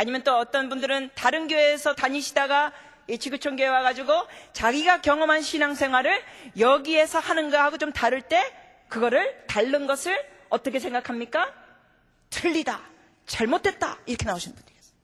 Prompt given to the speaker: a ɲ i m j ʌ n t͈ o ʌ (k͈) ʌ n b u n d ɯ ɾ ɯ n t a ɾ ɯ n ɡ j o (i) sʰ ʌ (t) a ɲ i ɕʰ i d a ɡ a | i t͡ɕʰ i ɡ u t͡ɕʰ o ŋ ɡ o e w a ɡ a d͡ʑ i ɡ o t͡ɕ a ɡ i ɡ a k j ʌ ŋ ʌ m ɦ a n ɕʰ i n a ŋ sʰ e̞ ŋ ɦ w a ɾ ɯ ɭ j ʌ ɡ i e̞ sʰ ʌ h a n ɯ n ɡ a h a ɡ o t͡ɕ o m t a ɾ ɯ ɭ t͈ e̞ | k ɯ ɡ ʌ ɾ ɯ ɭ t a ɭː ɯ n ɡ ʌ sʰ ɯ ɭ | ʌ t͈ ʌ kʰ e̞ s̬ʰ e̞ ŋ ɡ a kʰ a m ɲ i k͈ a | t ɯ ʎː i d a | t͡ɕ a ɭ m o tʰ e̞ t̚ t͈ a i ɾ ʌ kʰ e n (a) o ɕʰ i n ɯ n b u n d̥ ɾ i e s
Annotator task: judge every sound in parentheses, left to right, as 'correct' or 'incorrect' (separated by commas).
incorrect, incorrect, correct, correct